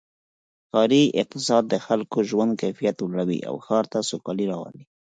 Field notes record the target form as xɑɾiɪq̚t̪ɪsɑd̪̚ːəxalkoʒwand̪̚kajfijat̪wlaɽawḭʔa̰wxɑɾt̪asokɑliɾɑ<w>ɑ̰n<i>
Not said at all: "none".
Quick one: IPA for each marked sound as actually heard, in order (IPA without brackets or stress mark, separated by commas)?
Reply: w, i